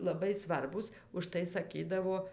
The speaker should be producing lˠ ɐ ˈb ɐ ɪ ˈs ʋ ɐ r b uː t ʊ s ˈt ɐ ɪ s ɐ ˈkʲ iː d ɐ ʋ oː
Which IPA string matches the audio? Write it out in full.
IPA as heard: lˠ ɐ ˈb ɐ ɪ ˈs ʋ ɐ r b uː s ʊ ʃ ˈt ɐ ɪ s ɐ ˈkʲ iː d ɐ ʋ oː